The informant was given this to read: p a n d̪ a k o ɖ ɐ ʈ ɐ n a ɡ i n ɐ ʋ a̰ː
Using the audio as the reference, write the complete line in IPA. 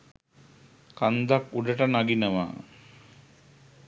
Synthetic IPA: k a n d̪ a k u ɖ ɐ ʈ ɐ n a ɡ i n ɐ ʋ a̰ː